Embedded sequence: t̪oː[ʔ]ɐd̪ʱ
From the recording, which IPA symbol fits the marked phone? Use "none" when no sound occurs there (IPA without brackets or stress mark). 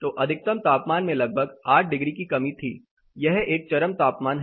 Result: ʔ